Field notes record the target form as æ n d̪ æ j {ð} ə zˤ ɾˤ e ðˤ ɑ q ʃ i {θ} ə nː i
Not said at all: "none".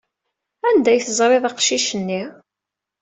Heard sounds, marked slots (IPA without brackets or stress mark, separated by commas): θ, ʃ